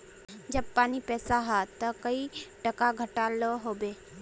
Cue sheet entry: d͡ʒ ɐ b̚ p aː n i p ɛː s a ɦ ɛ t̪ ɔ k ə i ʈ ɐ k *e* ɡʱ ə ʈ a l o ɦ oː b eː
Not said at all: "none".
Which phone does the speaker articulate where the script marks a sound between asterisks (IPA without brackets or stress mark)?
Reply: a